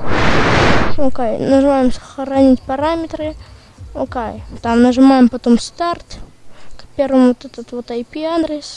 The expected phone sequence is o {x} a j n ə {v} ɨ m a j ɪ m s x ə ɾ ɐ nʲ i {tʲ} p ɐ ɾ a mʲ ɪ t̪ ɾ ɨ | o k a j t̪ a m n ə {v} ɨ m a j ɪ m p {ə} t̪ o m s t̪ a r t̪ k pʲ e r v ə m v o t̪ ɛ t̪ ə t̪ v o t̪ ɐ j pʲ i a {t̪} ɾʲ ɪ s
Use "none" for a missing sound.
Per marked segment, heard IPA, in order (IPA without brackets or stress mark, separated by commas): k, ʐ, tʲ, ʐ, ɐ, d̪